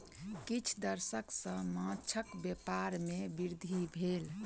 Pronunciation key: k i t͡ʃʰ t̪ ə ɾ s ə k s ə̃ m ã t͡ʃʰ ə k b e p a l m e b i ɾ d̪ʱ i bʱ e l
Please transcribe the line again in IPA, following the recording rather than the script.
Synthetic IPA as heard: k i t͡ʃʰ d̪ ə ɾ s ə k s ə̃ m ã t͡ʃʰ ə k b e p a ɾ m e b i ɾ d̪ʱ i bʱ e l